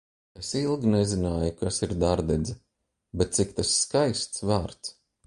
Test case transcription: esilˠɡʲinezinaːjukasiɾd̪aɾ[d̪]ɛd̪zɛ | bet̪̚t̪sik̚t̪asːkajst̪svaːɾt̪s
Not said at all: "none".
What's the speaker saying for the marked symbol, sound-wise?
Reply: d̪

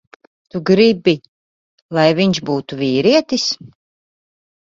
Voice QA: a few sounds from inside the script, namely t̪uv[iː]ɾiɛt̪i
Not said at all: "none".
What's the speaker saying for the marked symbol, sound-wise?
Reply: iː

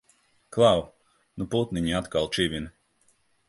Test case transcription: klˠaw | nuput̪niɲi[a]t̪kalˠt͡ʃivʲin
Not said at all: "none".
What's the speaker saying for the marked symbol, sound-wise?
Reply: a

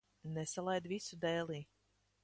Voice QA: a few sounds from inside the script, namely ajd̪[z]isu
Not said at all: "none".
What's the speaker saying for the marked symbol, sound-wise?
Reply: v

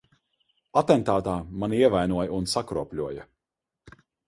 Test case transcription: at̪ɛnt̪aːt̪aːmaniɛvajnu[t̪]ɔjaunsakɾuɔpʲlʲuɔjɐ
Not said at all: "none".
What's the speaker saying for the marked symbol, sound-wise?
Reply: none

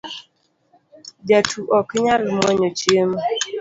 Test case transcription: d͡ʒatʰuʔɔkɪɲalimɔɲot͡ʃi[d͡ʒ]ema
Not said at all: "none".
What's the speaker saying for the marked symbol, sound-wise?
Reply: none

